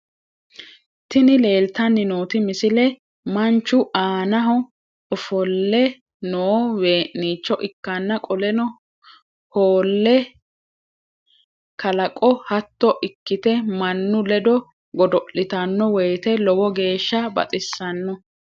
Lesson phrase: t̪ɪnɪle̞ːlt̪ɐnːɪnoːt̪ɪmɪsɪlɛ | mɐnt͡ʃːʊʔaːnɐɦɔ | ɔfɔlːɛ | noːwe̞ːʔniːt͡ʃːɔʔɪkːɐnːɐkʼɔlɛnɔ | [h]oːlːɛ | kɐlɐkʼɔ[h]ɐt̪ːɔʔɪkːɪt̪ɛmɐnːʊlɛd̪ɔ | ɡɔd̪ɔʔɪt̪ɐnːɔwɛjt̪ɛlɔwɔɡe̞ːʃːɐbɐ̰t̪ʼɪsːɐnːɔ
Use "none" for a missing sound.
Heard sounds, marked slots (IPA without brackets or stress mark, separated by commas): h, h